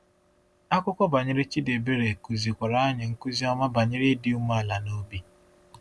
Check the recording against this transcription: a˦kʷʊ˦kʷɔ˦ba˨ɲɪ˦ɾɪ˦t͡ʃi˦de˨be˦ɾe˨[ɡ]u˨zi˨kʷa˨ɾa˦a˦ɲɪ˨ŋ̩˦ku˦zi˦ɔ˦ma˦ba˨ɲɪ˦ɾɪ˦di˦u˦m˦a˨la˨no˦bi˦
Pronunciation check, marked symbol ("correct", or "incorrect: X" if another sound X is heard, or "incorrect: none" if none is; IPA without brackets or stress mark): incorrect: k